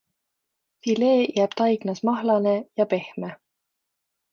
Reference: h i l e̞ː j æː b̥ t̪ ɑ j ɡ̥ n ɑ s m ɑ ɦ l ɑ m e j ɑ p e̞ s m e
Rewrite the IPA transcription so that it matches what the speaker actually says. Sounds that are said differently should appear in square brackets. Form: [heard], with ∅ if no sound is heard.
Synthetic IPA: [f] i l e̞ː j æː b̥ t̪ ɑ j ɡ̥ n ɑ s m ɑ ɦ l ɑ [n] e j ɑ p e̞ [h] m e